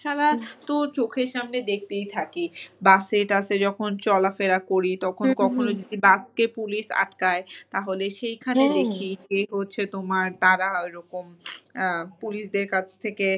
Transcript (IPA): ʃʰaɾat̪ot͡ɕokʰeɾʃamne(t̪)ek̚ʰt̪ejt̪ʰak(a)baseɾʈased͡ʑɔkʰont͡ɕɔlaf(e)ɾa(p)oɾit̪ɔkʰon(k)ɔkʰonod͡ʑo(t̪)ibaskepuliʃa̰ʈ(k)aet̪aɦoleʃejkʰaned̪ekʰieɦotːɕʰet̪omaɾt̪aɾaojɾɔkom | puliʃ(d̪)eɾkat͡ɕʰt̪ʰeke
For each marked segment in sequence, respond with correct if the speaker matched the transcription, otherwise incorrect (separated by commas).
incorrect, incorrect, correct, incorrect, correct, incorrect, correct, correct